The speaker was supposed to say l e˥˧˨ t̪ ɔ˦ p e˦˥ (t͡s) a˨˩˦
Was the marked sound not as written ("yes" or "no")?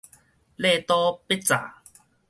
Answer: no